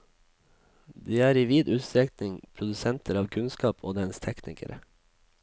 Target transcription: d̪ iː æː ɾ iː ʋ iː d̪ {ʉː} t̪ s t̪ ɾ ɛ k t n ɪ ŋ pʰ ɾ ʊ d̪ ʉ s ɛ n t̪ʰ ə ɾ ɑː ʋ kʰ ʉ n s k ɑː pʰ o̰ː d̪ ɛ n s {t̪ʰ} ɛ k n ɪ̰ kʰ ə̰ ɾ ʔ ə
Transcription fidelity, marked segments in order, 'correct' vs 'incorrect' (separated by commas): correct, correct